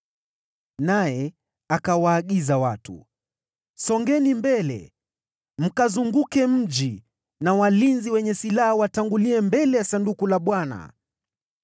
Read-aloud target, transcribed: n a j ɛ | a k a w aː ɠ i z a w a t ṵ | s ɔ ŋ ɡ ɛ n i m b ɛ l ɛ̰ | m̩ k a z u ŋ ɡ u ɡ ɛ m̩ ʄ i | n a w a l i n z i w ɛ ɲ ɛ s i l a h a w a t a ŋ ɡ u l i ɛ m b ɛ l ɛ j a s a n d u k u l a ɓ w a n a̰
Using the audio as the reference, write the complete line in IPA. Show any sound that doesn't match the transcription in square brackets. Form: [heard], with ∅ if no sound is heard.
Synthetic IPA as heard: n a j ɛ | a k a w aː ɠ i z a w a t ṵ | s ɔ ŋ ɡ ɛ n i m b ɛ l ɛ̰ | m̩ k a z u ŋ ɡ u [k] ɛ m̩ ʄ i | n a w a l i n z i w ɛ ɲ ɛ s i l a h a w a t a ŋ ɡ u l i ɛ m b ɛ l ɛ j a s a n d u k u l a ɓ w a n a̰